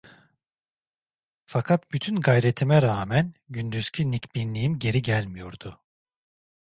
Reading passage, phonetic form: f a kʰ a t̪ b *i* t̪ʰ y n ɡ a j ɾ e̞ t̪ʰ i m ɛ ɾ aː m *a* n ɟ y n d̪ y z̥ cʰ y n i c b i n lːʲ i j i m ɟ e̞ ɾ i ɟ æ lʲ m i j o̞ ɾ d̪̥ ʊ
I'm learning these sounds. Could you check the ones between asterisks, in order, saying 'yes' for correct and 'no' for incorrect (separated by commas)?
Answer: no, no